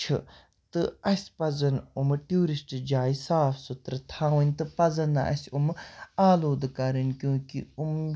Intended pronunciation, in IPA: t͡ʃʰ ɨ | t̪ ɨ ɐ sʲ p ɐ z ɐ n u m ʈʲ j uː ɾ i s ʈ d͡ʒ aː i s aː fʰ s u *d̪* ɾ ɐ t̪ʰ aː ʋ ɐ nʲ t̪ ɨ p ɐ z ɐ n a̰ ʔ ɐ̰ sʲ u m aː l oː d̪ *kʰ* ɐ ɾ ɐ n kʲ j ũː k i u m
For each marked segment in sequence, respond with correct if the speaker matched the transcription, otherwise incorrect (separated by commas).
incorrect, incorrect